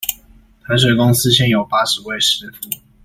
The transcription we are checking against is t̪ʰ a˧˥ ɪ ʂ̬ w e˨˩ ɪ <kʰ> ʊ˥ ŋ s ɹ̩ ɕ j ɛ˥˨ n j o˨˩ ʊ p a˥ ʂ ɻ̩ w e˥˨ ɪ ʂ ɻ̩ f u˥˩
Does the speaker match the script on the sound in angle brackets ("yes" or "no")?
no